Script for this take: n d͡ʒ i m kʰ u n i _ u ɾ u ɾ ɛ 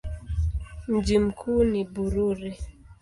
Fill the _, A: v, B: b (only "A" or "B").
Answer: B